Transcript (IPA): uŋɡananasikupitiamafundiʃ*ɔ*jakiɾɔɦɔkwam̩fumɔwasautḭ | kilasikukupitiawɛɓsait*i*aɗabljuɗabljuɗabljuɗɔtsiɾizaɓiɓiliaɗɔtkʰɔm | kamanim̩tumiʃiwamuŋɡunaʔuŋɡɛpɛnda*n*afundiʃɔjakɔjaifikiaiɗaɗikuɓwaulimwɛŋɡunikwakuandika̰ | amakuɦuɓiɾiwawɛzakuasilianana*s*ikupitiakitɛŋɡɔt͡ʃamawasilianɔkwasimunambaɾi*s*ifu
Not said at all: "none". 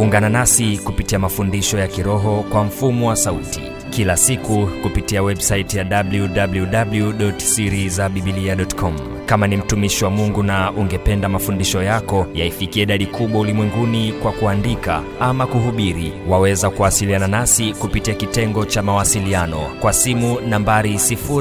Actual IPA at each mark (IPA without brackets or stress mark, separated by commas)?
ɔ, j, m, s, s